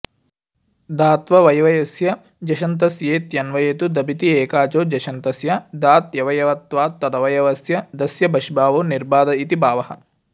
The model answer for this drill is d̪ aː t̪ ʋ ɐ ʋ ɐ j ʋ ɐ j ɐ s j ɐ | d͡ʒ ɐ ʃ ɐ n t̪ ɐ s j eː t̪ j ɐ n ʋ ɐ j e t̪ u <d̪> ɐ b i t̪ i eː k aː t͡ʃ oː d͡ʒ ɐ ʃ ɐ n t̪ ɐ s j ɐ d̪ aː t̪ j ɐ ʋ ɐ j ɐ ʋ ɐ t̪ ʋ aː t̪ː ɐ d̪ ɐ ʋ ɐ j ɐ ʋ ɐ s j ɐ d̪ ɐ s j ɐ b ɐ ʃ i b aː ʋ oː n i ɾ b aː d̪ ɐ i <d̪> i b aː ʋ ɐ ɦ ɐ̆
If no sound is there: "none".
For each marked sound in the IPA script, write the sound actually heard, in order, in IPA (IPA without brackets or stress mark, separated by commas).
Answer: d̪, t̪